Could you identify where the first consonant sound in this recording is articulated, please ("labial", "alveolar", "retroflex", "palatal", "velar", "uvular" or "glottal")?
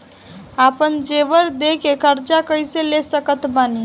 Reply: labial